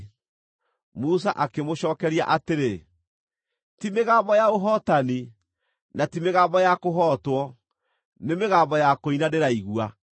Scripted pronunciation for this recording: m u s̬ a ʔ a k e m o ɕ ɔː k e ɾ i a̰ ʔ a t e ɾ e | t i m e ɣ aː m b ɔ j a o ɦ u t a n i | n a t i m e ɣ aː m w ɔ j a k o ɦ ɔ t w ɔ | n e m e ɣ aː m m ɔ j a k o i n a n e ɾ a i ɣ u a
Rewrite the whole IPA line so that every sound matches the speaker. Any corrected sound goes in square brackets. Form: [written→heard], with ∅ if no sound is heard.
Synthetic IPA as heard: m u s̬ a ʔ a k e m o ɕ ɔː k [e→ɛ] ɾ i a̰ ʔ a t e ɾ e | t i m e ɣ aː m b ɔ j a o ɦ [u→ɔ] t a n i | n a t i m e ɣ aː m [w→b] ɔ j a k o ɦ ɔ t w ɔ | n e m e ɣ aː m [m→b] ɔ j a k o i n a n e ɾ a i ɣ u a